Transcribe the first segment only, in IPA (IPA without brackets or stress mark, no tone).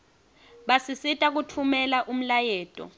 ɓ